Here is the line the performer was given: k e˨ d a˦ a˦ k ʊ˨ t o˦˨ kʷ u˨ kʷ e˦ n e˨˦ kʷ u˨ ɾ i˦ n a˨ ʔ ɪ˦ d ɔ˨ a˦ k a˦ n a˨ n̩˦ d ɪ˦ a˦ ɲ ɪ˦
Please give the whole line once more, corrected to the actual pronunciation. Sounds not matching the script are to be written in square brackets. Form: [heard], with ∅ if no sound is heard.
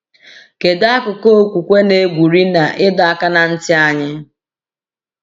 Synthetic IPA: k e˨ d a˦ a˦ k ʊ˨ [k] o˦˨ kʷ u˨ kʷ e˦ n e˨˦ [ɡʷ] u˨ ɾ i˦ n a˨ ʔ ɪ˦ d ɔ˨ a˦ k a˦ n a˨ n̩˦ [t] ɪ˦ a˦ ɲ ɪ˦